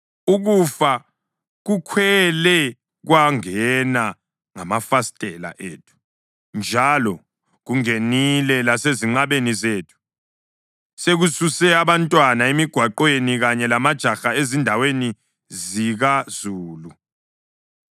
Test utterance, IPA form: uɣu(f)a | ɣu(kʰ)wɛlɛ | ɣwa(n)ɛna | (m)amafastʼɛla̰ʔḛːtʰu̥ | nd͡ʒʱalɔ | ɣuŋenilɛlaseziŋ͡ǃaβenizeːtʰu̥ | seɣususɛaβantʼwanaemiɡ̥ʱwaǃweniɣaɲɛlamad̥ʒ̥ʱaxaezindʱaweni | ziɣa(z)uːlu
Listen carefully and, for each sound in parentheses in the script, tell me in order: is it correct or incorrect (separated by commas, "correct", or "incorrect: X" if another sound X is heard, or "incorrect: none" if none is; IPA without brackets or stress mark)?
correct, correct, incorrect: ŋ, incorrect: ŋ, correct